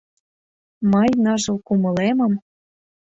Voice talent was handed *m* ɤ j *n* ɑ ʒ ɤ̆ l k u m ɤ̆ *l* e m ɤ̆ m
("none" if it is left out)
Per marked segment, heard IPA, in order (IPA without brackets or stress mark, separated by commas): m, n, l